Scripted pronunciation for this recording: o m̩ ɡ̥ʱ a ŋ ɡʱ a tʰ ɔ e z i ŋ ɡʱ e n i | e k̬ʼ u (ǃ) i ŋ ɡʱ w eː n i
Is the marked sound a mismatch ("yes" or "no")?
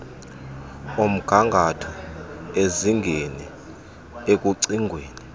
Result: yes